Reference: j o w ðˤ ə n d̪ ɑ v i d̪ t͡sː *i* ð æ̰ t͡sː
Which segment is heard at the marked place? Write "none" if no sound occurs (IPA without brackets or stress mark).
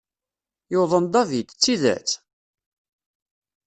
i